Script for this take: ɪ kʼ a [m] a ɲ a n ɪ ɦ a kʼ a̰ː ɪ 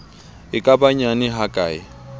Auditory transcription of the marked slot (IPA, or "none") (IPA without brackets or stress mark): b